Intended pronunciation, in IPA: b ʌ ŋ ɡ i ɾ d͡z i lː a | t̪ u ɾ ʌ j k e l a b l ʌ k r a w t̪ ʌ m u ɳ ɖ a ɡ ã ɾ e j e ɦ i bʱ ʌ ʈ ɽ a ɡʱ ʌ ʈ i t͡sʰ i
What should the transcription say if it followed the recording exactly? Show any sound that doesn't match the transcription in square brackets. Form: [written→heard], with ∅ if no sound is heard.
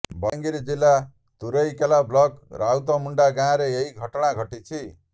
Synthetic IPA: b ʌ ŋ ɡ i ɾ d͡z i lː a | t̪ u ɾ ʌ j k e l a b l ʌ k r a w t̪ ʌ m u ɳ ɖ a ɡ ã ɾ e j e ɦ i [bʱ→ɡʱ] ʌ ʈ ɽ a ɡʱ ʌ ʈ i t͡sʰ i